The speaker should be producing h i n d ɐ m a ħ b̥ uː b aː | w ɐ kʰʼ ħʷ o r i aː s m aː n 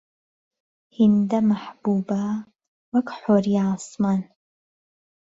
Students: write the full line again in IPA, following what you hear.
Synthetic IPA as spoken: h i n d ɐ m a ħ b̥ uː b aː | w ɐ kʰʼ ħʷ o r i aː s m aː n